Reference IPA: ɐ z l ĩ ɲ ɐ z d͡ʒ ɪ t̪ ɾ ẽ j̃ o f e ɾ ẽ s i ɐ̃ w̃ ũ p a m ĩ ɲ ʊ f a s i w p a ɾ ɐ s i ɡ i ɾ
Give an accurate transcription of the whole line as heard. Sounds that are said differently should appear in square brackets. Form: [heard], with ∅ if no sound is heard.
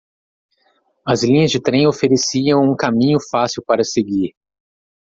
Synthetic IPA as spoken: ɐ z l ĩ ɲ ɐ z d͡ʒ ɪ t̪ ɾ ẽ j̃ o f e ɾ [e] s i ɐ̃ w̃ ũ [k] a m ĩ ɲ ʊ f a s i w p a ɾ ɐ s [e] ɡ i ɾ